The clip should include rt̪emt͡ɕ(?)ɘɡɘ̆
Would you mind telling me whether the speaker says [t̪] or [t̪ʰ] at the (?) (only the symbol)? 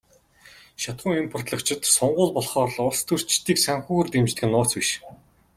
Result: t̪